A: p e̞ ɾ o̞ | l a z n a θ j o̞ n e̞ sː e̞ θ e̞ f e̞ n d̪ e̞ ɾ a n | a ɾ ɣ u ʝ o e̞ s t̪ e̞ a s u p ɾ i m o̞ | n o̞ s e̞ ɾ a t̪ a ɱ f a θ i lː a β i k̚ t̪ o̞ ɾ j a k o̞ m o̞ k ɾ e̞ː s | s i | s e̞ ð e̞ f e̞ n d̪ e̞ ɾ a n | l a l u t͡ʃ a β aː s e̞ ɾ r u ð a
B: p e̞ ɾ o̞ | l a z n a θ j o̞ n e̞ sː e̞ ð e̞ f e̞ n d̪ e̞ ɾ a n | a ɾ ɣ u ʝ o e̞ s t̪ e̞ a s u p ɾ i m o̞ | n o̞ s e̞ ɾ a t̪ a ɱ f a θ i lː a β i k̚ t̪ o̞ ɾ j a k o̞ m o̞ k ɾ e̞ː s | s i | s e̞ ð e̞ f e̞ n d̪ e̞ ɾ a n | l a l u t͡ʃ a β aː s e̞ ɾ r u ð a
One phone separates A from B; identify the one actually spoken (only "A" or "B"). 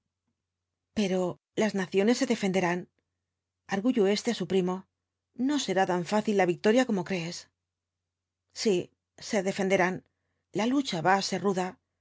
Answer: B